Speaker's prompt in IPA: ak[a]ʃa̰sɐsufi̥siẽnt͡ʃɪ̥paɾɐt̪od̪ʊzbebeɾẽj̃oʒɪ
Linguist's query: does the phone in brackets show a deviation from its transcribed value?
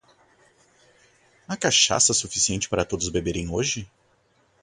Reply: no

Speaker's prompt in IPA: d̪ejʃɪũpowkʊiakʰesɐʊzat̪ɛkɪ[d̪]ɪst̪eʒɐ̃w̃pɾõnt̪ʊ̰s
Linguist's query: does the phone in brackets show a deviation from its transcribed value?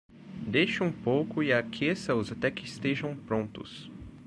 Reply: yes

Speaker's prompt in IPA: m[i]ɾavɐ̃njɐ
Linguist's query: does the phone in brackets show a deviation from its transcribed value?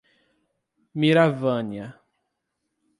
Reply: no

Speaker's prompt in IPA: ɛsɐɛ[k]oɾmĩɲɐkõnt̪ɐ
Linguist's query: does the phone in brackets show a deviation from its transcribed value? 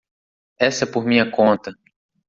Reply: yes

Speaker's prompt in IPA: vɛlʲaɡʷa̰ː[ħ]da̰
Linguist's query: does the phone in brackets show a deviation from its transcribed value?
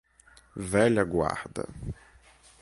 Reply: no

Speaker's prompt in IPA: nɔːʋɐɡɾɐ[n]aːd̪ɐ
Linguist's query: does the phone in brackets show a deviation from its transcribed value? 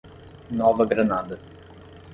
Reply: no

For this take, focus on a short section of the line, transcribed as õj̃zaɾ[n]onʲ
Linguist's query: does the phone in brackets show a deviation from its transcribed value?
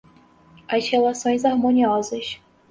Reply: yes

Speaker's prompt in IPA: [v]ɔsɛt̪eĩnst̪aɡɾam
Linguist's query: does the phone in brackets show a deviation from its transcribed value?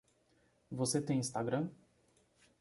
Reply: no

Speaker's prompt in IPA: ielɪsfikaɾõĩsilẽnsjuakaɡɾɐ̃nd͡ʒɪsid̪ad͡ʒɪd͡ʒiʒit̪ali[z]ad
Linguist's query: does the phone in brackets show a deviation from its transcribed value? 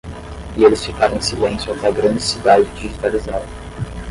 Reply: no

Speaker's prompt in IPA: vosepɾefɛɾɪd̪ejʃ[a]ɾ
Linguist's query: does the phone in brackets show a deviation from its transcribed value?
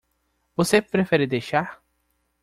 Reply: no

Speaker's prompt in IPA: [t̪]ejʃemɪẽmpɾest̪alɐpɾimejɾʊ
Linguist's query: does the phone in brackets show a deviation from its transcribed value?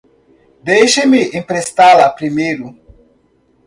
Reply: yes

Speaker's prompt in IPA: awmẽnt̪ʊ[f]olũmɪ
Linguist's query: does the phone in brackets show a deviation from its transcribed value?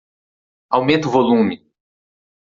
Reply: yes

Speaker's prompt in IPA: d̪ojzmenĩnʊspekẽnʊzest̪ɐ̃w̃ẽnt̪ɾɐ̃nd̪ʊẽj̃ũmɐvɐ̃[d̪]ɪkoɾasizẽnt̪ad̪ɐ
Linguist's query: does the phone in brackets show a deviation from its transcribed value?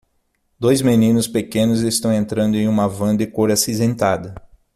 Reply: no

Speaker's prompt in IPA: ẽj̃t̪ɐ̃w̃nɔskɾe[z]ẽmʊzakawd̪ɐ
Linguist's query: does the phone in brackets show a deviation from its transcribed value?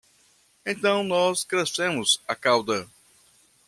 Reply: yes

